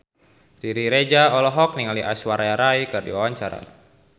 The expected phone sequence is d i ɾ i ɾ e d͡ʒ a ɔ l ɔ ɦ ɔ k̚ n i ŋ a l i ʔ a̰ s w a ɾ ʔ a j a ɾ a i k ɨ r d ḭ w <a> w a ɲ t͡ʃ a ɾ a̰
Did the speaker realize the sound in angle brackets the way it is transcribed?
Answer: yes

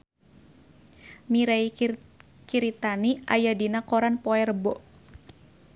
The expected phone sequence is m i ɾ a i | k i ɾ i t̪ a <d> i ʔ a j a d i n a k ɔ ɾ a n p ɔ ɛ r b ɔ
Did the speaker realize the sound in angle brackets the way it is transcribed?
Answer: no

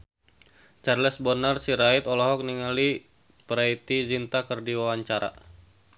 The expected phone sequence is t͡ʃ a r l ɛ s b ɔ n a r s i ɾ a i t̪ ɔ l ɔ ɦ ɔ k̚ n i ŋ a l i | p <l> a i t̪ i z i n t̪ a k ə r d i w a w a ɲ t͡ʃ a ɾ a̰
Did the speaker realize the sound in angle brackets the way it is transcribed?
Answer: no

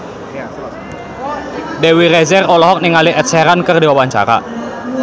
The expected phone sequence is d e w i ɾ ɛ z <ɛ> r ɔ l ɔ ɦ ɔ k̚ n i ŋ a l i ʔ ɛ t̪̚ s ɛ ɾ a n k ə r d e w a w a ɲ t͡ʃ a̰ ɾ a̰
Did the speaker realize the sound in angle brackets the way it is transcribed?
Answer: yes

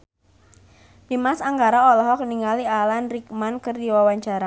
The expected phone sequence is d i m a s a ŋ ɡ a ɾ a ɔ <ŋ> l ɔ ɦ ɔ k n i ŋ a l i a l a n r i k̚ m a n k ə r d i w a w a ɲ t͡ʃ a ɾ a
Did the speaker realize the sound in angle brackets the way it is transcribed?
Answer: no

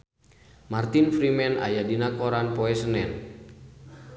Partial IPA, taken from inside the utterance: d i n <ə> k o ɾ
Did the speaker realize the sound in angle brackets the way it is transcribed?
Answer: no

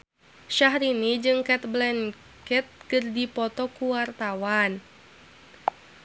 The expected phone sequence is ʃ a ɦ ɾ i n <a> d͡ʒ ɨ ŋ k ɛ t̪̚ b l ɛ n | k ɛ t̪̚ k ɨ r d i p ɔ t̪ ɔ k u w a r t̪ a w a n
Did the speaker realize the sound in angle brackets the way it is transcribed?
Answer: no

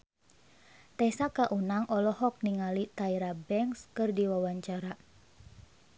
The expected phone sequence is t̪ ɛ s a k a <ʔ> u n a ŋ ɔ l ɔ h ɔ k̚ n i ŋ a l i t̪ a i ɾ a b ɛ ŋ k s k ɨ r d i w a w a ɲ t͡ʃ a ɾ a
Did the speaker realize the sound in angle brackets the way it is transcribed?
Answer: yes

